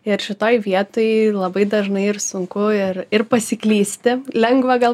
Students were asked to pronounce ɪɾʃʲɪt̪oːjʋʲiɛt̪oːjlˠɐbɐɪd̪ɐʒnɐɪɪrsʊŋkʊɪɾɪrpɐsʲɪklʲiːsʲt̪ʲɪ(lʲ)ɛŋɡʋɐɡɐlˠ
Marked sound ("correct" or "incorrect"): correct